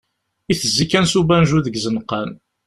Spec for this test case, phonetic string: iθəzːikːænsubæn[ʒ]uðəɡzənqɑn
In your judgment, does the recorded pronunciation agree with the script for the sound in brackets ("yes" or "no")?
yes